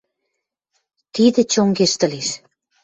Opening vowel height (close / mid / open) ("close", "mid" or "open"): close